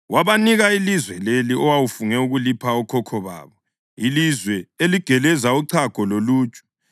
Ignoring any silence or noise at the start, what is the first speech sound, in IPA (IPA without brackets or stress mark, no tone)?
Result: w